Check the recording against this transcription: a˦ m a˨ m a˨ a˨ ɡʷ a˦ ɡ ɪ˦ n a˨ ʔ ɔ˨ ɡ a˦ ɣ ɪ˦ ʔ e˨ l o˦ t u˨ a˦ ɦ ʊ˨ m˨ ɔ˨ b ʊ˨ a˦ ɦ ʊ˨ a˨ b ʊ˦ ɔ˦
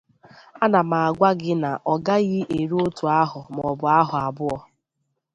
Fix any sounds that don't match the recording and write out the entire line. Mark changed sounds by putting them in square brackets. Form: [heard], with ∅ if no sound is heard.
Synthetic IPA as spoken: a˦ [n] a˨ m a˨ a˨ ɡʷ a˦ ɡ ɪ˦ n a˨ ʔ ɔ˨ ɡ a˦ ɣ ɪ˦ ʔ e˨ [ɾ] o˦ t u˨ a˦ ɦ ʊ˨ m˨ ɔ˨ b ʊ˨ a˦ ɦ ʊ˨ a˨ b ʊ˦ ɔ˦